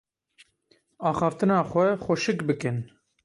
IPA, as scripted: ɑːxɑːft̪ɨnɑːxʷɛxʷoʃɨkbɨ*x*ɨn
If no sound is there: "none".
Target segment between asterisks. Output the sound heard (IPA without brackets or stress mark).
k